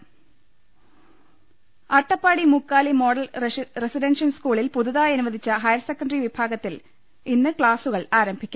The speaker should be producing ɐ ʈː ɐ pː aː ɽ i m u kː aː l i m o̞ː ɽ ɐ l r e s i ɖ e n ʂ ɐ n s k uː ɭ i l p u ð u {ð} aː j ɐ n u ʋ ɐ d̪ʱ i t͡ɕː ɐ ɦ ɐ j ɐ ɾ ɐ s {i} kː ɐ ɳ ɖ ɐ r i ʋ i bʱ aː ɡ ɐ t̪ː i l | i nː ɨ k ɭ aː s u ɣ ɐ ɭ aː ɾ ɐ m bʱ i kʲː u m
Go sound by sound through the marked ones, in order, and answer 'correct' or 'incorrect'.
correct, incorrect

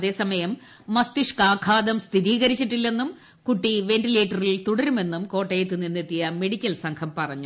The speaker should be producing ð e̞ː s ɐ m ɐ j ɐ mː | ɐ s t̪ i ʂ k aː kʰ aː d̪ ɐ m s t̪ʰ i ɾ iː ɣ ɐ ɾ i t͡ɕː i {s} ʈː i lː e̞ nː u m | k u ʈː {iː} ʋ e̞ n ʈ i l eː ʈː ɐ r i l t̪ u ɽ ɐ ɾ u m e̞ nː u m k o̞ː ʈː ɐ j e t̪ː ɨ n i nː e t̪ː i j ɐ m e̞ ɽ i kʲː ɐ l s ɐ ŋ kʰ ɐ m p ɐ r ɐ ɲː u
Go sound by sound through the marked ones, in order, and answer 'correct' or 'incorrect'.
incorrect, incorrect

